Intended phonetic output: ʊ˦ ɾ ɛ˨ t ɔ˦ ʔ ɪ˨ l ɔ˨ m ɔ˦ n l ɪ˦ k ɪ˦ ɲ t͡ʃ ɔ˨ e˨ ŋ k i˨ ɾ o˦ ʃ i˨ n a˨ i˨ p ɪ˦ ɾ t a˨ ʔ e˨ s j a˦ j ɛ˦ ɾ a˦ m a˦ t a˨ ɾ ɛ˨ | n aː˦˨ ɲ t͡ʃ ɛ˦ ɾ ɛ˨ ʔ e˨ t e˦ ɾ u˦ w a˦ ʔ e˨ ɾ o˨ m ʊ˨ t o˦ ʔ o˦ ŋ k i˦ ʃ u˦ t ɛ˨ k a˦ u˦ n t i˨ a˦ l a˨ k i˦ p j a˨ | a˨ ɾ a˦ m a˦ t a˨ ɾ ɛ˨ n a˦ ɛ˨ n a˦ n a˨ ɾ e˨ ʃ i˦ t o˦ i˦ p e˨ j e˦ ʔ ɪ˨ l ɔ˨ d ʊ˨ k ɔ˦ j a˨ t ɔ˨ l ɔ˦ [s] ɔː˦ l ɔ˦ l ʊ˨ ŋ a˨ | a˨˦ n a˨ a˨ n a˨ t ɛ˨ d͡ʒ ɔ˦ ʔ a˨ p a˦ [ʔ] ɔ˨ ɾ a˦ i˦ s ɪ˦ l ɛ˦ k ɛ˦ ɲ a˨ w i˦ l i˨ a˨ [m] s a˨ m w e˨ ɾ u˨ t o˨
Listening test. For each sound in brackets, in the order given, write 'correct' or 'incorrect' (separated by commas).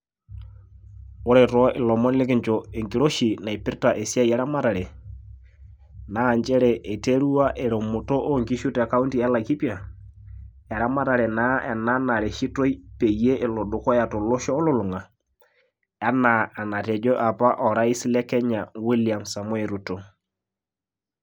incorrect, correct, correct